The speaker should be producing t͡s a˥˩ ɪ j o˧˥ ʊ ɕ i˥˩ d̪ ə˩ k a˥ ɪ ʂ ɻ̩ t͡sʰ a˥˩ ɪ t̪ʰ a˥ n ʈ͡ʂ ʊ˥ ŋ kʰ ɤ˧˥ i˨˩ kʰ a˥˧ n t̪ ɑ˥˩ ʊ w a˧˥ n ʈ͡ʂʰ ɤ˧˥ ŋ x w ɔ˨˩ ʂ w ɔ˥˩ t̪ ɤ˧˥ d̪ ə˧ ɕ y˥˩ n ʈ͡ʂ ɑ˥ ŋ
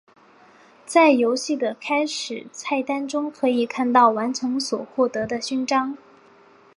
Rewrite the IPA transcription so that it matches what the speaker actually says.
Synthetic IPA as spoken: t͡s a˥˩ ɪ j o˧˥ ʊ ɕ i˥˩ d̪ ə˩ kʰ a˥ ɪ ʂ ɻ̩ t͡sʰ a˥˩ ɪ t̪ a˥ n ʈ͡ʂ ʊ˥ ŋ kʰ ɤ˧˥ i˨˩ kʰ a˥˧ n t̪ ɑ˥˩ ʊ w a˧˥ n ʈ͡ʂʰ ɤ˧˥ ŋ s w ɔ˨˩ x w ɔ˥˩ t̪ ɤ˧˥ d̪ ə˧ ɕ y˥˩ n ʈ͡ʂ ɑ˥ ŋ

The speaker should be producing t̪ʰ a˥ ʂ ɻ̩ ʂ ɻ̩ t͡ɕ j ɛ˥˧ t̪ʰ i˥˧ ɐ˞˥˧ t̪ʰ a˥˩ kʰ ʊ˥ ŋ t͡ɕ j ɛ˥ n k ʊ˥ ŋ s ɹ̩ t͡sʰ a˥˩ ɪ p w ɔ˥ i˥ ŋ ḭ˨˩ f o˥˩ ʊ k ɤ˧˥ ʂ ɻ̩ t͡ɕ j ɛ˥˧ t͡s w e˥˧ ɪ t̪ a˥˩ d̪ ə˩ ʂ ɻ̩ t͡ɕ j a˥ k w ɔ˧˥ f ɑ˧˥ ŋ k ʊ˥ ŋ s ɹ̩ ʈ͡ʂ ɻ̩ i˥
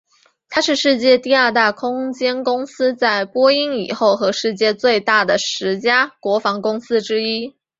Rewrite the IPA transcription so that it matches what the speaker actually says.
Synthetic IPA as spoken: t̪ʰ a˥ ʂ ɻ̩ ʂ ɻ̩ t͡ɕ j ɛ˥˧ t̪ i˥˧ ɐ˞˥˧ t̪ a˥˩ kʰ ʊ˥ ŋ t͡ɕ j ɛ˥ n k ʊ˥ ŋ s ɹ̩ t͡s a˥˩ ɪ p w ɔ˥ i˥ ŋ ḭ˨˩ x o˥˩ ʊ x ɤ˧˥ ʂ ɻ̩ t͡ɕ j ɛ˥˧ t͡s w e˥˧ ɪ t̪ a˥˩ d̪ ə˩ ʂ ɻ̩ t͡ɕ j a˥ k w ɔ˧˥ f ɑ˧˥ ŋ k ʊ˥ ŋ s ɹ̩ ʈ͡ʂ ɻ̩ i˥

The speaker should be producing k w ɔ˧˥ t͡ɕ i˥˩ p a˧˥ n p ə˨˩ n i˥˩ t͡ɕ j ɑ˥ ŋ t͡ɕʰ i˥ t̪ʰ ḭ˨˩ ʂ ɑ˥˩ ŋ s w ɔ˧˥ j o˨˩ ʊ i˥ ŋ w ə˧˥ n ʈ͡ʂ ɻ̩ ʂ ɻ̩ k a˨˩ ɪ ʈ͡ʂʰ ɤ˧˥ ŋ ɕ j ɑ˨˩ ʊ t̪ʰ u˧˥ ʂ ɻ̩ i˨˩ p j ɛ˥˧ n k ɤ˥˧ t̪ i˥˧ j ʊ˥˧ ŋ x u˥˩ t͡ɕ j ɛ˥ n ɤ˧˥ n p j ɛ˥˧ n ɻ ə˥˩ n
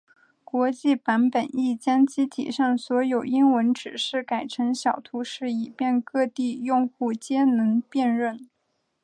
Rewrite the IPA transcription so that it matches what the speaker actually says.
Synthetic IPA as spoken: k w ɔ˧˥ t͡ɕ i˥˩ p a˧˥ n p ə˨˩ n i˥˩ t͡ɕ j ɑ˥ ŋ t͡ɕ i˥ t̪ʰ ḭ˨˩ ʂ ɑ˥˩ ŋ s w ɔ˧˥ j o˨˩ ʊ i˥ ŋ w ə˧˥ n ʈ͡ʂ ɻ̩ ʂ ɻ̩ k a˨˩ ɪ ʈ͡ʂʰ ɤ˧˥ ŋ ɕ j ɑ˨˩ ʊ t̪ʰ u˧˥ ʂ ɻ̩ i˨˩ p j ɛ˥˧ n k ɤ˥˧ t̪ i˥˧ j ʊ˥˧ ŋ x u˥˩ t͡ɕ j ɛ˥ n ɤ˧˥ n p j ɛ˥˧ n ɻ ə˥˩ n

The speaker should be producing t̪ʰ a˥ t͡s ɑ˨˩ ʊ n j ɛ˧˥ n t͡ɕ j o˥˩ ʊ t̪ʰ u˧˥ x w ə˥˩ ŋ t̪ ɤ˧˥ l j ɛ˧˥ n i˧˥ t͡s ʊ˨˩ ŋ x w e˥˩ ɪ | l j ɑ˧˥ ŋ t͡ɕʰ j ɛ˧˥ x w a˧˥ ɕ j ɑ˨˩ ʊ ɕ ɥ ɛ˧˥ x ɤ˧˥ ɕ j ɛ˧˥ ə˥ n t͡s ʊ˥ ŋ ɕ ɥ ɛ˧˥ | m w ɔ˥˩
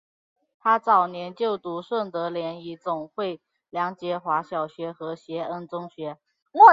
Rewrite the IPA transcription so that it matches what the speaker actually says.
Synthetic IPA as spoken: t̪ʰ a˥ t͡s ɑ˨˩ ʊ n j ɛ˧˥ n t͡ɕ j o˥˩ ʊ t̪ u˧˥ ʂ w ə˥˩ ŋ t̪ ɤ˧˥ l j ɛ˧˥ n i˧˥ t͡s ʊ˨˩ ŋ x w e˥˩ ɪ | l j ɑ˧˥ ŋ t͡ɕ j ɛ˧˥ x w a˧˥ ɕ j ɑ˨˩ ʊ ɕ ɥ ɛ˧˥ x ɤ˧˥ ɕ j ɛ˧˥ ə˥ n t͡s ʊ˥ ŋ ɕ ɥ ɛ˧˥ | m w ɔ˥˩

